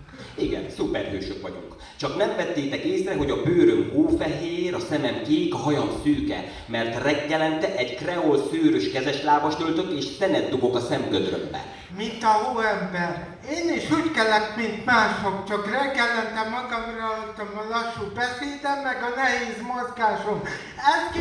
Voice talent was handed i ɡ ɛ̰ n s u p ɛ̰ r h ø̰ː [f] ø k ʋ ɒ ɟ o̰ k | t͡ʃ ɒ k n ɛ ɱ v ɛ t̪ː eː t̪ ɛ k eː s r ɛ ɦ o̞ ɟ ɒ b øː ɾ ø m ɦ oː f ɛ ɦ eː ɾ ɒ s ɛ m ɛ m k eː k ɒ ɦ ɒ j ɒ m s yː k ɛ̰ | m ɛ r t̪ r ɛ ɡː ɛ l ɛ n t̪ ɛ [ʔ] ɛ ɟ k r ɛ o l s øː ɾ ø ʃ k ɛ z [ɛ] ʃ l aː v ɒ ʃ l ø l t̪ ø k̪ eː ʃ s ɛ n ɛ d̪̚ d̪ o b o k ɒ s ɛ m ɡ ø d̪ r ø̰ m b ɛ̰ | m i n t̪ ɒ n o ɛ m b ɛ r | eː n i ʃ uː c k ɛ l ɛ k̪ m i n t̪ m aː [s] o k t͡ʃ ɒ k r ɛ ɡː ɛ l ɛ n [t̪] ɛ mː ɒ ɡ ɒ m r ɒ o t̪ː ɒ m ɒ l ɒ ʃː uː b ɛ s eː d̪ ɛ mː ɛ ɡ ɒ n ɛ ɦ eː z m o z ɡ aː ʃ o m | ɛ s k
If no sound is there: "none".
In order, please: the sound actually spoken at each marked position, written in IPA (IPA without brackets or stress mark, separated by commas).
ʃ, ʔ, ɛ, ʃ, t̪